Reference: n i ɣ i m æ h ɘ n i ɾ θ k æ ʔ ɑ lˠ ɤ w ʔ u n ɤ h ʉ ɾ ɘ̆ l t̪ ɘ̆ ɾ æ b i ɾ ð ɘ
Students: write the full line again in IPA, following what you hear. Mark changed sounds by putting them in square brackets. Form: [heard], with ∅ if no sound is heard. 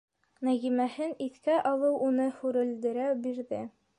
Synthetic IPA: n [æ] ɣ i m æ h ɘ n i [∅] θ k æ ʔ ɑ lˠ ɤ w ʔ u n ɤ h ʉ ɾ ɘ̆ l [d̪] ɘ̆ ɾ æ b i ɾ ð ɘ